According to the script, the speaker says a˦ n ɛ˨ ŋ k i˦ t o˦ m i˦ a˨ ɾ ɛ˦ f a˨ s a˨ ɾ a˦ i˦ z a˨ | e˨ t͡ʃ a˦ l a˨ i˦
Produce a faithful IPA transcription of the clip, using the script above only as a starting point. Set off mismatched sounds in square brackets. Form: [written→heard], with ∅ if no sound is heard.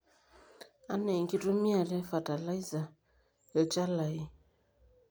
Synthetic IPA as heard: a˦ n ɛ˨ ŋ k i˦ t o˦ m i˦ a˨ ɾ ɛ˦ f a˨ [s→t] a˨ [ɾ→l] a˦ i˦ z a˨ | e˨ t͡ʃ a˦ l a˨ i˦